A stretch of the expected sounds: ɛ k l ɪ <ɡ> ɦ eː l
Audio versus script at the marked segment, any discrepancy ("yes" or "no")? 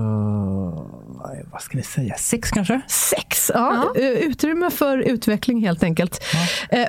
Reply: yes